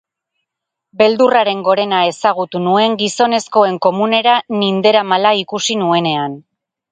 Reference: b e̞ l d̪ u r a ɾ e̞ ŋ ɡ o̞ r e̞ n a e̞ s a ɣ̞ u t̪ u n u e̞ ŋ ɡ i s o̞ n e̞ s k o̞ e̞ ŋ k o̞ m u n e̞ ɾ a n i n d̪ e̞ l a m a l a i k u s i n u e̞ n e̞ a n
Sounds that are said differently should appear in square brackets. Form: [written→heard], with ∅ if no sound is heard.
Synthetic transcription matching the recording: b e̞ l d̪ u r a ɾ e̞ ŋ ɡ o̞ [r→ɾ] e̞ n a e̞ s a ɣ̞ u t̪ u n u e̞ ŋ ɡ i s o̞ n e̞ s k o̞ e̞ ŋ k o̞ m u n e̞ ɾ a n i n d̪ e̞ [l→ɾ] a m a l a i k u s i n u e̞ n e̞ a n